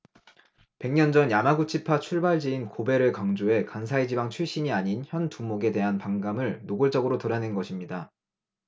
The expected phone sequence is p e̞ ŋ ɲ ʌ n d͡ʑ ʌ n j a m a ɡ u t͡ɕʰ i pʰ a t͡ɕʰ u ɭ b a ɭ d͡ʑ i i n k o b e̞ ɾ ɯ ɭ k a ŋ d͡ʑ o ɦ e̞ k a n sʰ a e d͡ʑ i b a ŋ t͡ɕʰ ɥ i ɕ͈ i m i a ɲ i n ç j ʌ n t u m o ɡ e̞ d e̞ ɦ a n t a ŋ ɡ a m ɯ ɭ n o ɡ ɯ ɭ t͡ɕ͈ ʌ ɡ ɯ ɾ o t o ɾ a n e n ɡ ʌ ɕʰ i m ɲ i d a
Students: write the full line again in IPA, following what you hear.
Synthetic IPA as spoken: p e̞ ŋ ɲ ʌ n d͡ʑ ʌ n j a m a ɡ u t͡ɕʰ i pʰ a t͡ɕʰ u ɭ b a ɭ d͡ʑ i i n k o b e̞ ɾ ɯ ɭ k a ŋ d͡ʑ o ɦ e̞ k a n sʰ a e d͡ʑ i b a ŋ t͡ɕʰ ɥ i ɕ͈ i ɲ i a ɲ i n ç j ʌ n t u m o ɡ e̞ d e̞ ɦ a n p a ŋ ɡ a m ɯ ɭ n o ɡ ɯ ɭ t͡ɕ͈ ʌ ɡ ɯ ɾ o t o ɾ a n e n ɡ ʌ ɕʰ i m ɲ i d a